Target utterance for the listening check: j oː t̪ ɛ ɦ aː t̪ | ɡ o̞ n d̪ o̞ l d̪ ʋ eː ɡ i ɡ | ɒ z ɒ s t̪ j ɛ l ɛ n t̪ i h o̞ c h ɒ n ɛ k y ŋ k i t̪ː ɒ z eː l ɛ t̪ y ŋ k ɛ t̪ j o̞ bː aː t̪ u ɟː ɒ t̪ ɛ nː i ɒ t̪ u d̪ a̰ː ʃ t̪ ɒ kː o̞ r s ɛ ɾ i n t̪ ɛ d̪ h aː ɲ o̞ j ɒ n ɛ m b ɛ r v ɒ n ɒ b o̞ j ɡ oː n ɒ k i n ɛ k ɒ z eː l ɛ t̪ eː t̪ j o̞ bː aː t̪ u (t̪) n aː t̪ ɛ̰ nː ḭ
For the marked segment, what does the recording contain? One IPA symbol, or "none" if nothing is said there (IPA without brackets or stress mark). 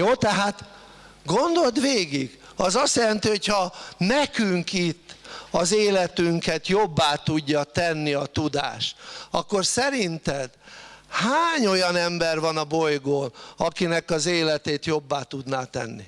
d̪